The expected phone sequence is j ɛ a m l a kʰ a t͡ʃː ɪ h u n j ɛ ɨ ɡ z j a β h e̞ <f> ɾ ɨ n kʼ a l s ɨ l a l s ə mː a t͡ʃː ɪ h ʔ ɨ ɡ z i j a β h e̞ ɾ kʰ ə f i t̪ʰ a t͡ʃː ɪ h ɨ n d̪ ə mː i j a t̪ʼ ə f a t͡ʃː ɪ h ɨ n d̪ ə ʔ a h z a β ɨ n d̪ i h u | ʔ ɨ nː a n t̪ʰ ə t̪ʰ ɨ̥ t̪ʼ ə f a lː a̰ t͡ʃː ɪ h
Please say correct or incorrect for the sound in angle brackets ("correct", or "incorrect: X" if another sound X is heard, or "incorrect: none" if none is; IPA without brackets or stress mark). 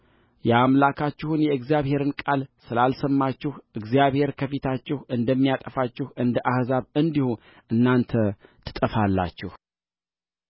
incorrect: none